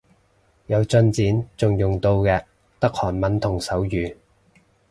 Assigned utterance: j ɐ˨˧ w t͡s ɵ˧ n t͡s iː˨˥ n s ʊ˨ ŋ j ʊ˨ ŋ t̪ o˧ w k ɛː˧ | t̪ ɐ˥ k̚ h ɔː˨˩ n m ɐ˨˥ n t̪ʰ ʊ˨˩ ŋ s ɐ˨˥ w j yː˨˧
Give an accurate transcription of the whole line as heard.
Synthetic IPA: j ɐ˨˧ w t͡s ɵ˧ n t͡s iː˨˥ n t͡s ʊ˨ ŋ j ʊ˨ ŋ t̪ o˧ w k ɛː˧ | t̪ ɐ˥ k̚ h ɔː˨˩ n m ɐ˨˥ n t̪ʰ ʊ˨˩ ŋ s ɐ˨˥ w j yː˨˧